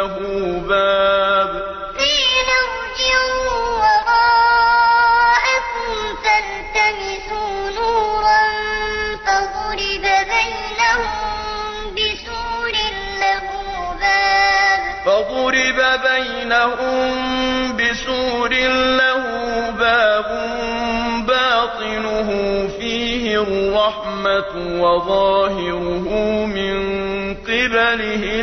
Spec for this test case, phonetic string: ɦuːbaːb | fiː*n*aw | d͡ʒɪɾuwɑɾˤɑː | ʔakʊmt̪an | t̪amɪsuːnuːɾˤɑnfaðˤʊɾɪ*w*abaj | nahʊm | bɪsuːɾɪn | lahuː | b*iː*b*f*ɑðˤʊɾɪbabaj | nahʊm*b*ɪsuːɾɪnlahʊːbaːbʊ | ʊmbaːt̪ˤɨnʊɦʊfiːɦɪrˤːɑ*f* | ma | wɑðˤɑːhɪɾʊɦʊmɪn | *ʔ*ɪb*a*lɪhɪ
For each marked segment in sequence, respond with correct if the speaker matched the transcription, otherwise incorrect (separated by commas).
correct, incorrect, incorrect, correct, correct, incorrect, incorrect, correct